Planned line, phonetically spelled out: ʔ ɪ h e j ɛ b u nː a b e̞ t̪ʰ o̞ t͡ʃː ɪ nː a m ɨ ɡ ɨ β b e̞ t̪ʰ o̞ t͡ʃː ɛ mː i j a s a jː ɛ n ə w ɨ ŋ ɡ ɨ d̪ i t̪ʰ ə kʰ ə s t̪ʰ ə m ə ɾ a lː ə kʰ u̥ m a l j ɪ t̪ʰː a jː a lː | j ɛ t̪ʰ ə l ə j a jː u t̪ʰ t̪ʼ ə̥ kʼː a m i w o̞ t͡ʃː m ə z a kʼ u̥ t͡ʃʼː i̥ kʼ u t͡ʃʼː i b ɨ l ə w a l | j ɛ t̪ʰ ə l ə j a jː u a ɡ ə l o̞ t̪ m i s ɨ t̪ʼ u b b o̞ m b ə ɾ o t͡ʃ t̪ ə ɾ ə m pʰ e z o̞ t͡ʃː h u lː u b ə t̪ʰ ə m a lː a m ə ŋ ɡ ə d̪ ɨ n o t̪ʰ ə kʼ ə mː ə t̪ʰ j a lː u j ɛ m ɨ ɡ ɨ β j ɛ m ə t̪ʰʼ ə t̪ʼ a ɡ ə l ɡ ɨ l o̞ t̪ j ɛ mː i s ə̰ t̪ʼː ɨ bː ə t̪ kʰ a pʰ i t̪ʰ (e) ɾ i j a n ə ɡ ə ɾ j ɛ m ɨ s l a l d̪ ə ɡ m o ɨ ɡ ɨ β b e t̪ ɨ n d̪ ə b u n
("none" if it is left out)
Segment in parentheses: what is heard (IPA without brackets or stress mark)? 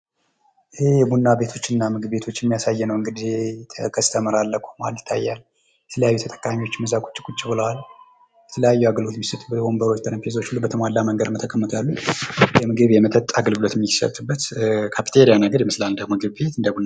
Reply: e